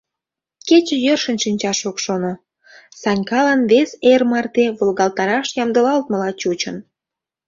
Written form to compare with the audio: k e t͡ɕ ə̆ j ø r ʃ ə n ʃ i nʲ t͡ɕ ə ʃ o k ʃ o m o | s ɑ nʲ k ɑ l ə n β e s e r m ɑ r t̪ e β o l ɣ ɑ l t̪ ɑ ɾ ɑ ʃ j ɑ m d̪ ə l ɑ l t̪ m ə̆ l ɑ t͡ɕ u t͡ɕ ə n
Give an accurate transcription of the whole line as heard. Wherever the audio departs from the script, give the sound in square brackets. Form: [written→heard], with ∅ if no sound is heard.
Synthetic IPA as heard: k e t͡ɕ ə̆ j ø r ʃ ə n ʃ i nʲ t͡ɕ [ə→ɑ] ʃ o k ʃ o [m→n] o | s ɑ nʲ k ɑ l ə n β e s e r m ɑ r t̪ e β o l ɣ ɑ l t̪ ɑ ɾ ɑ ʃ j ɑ m d̪ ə l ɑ l t̪ m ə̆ l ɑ t͡ɕ u t͡ɕ ə n